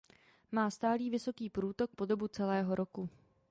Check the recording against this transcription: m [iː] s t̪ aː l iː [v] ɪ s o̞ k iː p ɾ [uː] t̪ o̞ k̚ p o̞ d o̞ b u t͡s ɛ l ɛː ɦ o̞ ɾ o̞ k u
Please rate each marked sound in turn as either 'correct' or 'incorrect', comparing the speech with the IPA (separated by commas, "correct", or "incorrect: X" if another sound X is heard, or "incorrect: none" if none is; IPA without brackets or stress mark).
incorrect: aː, correct, correct